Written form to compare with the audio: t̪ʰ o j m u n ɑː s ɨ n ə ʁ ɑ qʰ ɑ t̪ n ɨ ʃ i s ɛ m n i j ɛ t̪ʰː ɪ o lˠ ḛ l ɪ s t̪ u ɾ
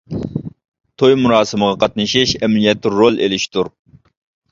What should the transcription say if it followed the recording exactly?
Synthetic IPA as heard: t̪ʰ o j m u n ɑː s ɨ m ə ʁ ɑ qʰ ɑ t̪ n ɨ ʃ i ʃ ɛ m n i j ɛ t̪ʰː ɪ o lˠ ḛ l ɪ ʃ t̪ u ɾ